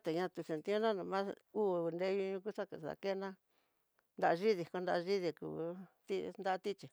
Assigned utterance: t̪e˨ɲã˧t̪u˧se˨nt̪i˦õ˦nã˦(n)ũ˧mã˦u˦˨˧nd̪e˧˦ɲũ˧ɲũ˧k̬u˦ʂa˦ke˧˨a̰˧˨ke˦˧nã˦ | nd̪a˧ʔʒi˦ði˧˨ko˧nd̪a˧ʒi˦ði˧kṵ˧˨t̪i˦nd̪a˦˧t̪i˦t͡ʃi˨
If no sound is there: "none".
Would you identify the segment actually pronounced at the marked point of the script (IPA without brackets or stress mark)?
n